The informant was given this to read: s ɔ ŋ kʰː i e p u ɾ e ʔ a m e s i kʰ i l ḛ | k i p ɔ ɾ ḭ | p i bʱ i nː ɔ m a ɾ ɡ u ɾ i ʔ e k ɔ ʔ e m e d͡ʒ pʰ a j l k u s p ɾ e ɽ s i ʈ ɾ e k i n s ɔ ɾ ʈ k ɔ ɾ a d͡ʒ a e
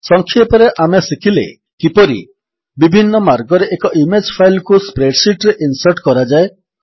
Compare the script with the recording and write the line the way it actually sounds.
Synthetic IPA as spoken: s ɔ ŋ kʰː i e p ɔ ɾ e ʔ a m e s i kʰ i l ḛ | k i p ɔ ɾ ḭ | b i bʱ i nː ɔ m a ɾ ɡ ɔ ɾ e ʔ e k ɔ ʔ i m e d͡ʒ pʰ a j l k u s p ɾ e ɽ s i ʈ ɾ e ʔ i n s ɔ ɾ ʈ k ɔ ɾ a d͡ʒ a e